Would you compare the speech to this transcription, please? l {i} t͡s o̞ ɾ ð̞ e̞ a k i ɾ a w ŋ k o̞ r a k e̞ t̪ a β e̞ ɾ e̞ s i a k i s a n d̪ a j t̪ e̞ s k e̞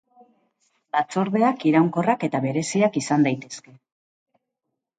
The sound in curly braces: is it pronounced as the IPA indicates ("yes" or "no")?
no